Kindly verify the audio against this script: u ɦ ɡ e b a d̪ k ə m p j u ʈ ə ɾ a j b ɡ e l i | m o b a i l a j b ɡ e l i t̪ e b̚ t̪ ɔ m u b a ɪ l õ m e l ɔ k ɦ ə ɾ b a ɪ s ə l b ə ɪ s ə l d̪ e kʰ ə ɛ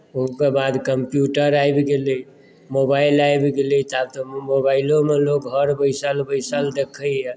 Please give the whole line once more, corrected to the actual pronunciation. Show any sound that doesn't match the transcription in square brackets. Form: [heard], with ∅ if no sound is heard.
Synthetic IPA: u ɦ [k] e b a d̪ k ə m p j u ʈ ə ɾ a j b ɡ e l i | m o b a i l a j b ɡ e l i t̪ [a] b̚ t̪ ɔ m [o] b a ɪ l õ m e l [o] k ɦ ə ɾ b [ə] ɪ s ə l b ə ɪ s ə l d̪ e kʰ ə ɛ